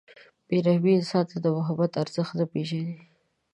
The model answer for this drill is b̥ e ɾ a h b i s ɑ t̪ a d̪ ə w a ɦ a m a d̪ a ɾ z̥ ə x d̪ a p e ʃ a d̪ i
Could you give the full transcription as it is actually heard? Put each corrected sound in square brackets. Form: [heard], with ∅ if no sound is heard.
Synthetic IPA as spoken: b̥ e ɾ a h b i s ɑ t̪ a d̪ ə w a ɦ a [b] a [t̪] a ɾ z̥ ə x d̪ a p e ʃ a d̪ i